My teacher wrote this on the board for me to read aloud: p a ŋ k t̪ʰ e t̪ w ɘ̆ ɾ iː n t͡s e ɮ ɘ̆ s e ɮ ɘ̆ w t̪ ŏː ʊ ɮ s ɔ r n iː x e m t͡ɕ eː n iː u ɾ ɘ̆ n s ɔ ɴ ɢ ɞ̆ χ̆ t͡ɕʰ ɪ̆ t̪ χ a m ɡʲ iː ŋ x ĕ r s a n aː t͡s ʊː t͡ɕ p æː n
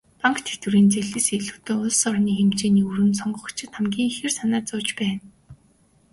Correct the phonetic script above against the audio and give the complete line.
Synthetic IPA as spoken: p a ŋ k t̪ʰ e t̪ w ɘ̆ ɾ iː n t͡s e ɮ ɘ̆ s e ɮ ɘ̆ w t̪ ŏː ʊ ɮ s ɔ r n iː x e m t͡ɕ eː n iː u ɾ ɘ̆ n s ɔ ɴ ɢ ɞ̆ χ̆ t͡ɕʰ ɪ̆ t̪ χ a m ɡʲ iː ŋ x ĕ r s a n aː t͡s ʊː t͡ɕ p æː n

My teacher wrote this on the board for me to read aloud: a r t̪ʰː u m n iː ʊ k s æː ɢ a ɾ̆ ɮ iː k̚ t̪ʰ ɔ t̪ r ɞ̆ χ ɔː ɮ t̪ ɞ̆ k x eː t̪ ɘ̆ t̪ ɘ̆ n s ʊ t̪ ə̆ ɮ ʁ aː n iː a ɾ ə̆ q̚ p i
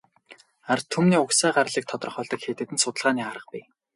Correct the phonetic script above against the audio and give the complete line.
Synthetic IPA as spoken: a r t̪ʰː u m n iː ʊ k s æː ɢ a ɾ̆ ɮ iː k̚ t̪ʰ ɔ t̪ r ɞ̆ χ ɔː ɮ t̪ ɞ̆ k x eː t̪ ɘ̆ t̪ ɘ̆ n s ʊ t̪ ə̆ ɮ ʁ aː n iː a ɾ ə̆ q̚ p i

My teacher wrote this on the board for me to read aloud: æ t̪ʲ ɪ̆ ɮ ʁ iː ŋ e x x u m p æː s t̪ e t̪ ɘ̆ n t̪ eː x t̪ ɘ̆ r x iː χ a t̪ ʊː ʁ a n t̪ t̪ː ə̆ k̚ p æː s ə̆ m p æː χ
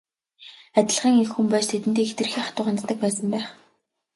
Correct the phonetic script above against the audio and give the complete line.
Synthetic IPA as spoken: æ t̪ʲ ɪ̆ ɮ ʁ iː ŋ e x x u m p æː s t̪ʰ e t̪ ɘ̆ n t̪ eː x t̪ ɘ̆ r x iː χ a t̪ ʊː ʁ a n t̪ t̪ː ə̆ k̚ p æː s ə̆ m p æː χ

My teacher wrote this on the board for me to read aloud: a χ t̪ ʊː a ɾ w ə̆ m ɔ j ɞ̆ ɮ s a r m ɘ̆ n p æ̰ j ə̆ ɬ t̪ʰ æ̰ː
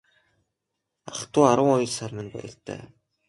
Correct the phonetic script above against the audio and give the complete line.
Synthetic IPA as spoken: a χ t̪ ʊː a ɾ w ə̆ ŋ ɔ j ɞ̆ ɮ s a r m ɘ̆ n p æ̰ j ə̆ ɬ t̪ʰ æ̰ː

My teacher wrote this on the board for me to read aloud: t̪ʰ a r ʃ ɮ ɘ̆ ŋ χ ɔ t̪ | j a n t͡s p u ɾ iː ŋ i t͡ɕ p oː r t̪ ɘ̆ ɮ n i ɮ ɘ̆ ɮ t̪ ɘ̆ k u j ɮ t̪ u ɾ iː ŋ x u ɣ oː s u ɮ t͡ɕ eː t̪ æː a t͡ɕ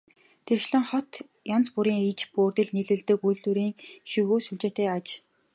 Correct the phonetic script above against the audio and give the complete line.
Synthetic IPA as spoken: t̪ʰ e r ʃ ɮ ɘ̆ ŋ χ ɔ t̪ | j a n t͡s p u ɾ iː ŋ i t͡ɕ p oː r t̪ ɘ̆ ɮ n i ɮ ɘ̆ ɮ t̪ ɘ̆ k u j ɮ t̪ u ɾ iː ŋ ʃ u ɣ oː s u ɮ t͡ɕ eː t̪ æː a t͡ɕ

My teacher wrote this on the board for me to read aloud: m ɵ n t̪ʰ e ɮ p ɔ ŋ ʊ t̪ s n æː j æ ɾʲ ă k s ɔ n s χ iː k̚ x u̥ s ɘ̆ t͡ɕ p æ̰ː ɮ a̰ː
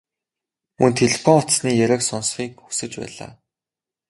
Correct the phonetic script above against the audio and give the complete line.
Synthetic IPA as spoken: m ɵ n t̪ʰ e ɮ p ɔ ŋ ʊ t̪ s n iː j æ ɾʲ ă k s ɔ n s χ iː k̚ x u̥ s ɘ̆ t͡ɕ p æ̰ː ɮ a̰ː

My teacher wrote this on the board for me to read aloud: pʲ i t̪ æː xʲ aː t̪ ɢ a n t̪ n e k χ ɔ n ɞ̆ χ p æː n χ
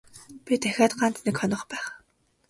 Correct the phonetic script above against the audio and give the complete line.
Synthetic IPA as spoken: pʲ i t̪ æ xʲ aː t̪ ɢ a n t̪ n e k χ ɔ n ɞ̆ χ p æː χ

